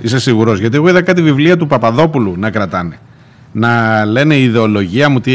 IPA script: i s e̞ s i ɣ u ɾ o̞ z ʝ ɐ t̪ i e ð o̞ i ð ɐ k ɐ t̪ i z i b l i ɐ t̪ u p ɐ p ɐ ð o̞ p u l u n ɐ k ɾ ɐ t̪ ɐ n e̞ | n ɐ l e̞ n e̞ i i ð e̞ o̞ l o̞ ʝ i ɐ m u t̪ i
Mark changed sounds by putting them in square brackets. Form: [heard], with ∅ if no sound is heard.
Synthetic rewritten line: i s e̞ s i ɣ u ɾ o̞ z ʝ ɐ t̪ i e [ɣ] o̞ i ð ɐ k ɐ t̪ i [v] i [v] l i ɐ t̪ u p ɐ p ɐ ð o̞ p u l u n ɐ k ɾ ɐ t̪ ɐ n e̞ | n ɐ l e̞ n e̞ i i ð e̞ o̞ l o̞ ʝ i ɐ m u t̪ i